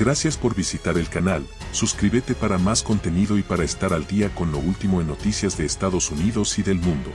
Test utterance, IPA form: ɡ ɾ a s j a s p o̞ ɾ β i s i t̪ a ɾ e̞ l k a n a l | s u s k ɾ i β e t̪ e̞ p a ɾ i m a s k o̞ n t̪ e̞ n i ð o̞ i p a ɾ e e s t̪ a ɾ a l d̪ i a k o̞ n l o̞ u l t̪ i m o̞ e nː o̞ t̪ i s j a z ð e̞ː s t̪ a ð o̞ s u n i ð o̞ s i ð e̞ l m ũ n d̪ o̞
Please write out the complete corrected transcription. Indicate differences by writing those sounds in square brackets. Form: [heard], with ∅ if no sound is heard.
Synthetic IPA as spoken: ɡ ɾ a s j a s p o̞ ɾ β i s i t̪ a ɾ e̞ l k a n a l | s u s k ɾ i β e t̪ e̞ p a ɾ [a] m a s k o̞ n t̪ e̞ n i ð o̞ i p a ɾ [a] e s t̪ a ɾ a l d̪ i a k o̞ n l o̞ u l t̪ i m o̞ e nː o̞ t̪ i s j a z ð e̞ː s t̪ a ð o̞ s u n i ð o̞ s i ð e̞ l m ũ n d̪ o̞